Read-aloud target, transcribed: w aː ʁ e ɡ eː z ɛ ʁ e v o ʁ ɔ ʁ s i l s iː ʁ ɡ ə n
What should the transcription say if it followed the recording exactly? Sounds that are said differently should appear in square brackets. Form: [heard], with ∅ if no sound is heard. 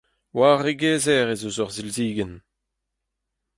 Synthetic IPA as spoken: w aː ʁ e ɡ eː z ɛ ʁ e [z] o [z] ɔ ʁ [z] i l [z] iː [∅] ɡ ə n